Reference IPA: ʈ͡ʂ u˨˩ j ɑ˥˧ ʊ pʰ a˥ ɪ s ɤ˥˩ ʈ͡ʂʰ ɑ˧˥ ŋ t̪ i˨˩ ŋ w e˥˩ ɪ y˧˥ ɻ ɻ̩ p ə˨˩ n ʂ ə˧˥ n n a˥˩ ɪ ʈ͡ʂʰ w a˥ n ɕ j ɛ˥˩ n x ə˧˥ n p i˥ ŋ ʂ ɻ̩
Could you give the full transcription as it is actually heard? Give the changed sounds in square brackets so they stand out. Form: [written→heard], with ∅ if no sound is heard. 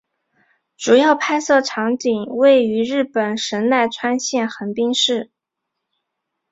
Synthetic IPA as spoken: ʈ͡ʂ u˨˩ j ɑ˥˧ ʊ pʰ a˥ ɪ s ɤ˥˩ ʈ͡ʂʰ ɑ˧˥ ŋ t̪ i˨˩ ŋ w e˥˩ ɪ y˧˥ ɻ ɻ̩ p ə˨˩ n ʂ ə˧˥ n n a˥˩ ɪ ʈ͡ʂʰ w a˥ n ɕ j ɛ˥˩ n x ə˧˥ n p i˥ ŋ ʂ ɻ̩